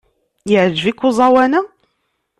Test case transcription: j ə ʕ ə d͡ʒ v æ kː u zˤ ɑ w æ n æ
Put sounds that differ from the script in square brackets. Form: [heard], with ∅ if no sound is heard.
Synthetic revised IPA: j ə ʕ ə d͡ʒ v [i] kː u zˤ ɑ w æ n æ